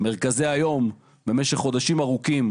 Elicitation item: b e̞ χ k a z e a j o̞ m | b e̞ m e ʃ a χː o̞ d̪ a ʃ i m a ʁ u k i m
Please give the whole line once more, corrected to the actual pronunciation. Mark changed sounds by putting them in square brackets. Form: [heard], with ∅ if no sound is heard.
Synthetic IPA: [m] e̞ [ʁ] k a z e a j o̞ m | b e̞ m e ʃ [e] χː o̞ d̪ a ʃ i m a ʁ u k i m